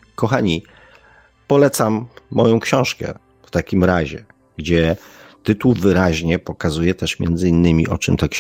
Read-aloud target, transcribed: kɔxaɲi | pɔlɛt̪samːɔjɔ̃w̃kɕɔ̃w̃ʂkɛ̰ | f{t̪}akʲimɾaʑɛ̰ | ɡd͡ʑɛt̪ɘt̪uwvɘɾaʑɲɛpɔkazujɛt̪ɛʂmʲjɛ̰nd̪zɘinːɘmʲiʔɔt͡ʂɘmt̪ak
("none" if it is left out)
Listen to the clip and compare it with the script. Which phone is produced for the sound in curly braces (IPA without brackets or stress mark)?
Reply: t̪